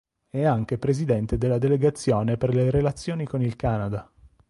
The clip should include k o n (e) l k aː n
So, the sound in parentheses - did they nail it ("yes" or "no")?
no